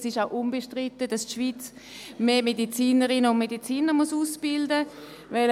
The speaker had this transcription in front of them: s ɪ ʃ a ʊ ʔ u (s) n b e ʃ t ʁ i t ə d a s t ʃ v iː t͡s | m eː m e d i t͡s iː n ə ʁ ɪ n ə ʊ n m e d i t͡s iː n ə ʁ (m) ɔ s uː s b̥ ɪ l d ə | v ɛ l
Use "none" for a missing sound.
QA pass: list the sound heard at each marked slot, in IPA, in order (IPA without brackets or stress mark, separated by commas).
none, m